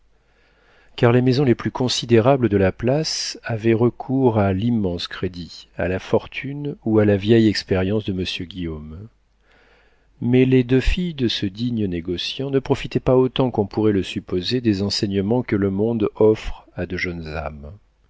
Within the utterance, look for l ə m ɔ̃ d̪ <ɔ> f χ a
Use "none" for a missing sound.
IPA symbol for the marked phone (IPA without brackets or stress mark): ɔ